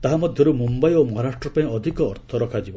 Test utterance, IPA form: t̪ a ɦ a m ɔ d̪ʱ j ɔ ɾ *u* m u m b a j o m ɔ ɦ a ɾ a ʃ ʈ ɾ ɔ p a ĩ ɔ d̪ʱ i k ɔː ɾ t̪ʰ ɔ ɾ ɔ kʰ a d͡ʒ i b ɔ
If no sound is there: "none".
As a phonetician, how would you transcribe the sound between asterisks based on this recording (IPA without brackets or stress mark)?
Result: u